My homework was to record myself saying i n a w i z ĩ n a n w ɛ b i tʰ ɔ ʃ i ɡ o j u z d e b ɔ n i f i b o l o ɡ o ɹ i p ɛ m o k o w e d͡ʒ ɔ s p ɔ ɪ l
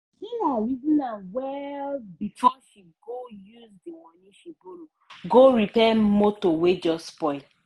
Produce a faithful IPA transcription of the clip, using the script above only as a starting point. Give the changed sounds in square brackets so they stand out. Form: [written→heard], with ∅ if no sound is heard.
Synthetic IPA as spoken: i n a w i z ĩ n a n w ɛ b i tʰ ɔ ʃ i ɡ o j u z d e [b→w] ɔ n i [f→ʃ] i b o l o ɡ o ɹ i p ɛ m o [k→t] o w e d͡ʒ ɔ s p ɔ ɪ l